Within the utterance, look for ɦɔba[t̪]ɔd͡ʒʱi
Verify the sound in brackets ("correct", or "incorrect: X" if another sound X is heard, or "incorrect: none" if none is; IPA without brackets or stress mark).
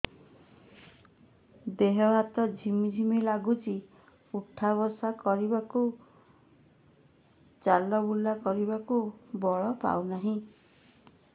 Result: correct